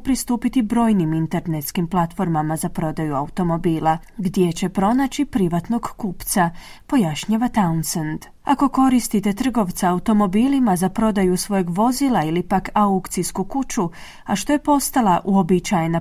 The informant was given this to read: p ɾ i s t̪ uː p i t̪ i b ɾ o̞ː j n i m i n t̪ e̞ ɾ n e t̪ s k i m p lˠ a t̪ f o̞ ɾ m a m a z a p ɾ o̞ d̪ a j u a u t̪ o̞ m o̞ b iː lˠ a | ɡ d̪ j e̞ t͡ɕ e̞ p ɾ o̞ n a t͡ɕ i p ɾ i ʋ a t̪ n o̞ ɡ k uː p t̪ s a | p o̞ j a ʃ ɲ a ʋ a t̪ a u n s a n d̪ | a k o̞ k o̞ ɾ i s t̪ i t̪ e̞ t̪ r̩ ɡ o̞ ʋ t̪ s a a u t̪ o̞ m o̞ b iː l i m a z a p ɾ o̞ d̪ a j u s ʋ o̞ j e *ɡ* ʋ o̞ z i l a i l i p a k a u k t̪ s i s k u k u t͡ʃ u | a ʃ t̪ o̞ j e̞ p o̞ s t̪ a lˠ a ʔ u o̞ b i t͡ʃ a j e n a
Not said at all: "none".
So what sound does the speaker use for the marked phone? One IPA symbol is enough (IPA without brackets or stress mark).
ɡ